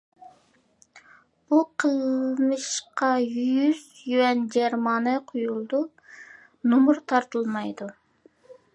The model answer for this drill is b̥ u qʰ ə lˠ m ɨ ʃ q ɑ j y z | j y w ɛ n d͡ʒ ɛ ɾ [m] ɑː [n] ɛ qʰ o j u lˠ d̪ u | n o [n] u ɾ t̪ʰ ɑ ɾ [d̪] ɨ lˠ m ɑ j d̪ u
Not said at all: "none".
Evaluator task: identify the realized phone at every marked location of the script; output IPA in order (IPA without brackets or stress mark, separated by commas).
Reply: m, n, m, t̪